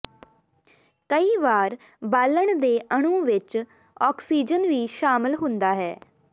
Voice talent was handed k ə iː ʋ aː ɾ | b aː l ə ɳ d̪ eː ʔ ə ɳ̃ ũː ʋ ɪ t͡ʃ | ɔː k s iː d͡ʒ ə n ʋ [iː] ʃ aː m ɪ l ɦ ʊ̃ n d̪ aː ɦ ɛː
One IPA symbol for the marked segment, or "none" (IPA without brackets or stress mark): iː